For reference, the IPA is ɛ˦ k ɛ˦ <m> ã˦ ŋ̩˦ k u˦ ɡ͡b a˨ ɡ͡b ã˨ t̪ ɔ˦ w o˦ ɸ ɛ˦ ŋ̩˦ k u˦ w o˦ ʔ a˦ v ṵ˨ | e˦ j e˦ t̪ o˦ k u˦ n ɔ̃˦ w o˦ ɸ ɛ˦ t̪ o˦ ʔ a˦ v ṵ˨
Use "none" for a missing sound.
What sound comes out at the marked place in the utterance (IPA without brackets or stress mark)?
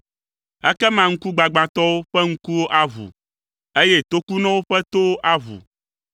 m